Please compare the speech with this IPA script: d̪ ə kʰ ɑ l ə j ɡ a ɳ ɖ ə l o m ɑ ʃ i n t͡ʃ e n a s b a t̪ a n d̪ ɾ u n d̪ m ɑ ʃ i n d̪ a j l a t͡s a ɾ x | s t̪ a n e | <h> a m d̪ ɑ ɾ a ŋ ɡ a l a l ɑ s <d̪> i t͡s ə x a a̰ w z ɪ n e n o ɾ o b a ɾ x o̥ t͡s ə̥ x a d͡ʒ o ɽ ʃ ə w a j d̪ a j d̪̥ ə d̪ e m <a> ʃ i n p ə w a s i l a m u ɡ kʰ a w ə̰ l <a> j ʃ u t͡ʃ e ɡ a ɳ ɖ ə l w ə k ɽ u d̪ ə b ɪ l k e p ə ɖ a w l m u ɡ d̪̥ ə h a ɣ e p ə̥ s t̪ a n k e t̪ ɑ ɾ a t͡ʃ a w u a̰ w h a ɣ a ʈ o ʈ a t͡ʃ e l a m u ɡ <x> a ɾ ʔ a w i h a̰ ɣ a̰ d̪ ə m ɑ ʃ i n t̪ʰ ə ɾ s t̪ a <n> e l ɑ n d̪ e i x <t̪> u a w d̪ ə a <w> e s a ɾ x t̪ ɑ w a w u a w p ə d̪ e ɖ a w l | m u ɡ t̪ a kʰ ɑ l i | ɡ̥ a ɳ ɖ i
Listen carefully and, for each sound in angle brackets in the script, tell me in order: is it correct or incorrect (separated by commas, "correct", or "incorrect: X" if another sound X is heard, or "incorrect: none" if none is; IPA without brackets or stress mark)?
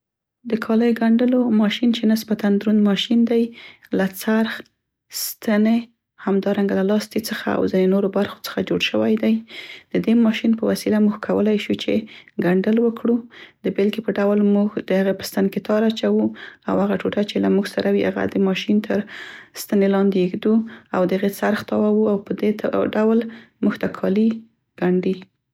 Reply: correct, incorrect: t̪, incorrect: ɑ, correct, incorrect: s, correct, incorrect: d̪, incorrect: ɣ